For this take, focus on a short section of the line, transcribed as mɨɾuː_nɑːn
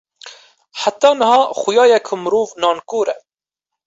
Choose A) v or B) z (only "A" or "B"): A